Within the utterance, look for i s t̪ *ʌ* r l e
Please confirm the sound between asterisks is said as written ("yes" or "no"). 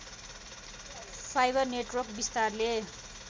no